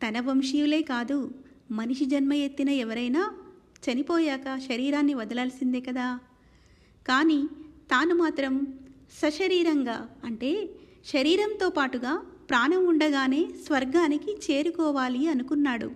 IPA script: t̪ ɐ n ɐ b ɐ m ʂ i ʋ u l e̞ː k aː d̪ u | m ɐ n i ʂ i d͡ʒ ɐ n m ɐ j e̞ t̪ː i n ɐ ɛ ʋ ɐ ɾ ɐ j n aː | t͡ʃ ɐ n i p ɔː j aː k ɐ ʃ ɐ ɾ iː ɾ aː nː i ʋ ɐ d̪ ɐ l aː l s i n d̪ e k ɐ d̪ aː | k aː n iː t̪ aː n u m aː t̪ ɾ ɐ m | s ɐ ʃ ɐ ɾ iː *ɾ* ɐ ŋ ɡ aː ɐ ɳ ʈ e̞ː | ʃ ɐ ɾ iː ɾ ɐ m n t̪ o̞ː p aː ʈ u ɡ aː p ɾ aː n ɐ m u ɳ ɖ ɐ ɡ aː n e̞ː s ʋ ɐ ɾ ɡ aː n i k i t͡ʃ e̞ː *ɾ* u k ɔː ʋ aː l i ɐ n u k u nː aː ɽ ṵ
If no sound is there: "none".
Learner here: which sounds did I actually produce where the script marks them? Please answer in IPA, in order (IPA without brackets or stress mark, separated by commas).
ɾ, ɾ